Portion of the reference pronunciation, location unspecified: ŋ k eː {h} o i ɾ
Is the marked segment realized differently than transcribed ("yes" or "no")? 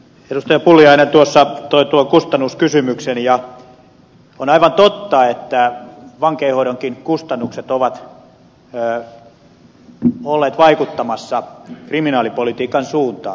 no